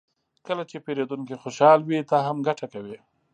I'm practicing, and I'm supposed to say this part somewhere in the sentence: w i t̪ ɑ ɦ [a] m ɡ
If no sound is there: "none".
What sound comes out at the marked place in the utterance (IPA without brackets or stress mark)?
a